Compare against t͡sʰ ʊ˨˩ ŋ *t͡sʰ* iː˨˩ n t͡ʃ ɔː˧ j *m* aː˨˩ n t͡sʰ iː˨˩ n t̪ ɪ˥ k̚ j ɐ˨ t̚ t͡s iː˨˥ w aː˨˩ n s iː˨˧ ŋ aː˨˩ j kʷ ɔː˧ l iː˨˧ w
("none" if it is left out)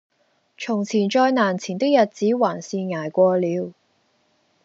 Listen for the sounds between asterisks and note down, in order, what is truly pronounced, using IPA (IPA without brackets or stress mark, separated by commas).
t͡sʰ, n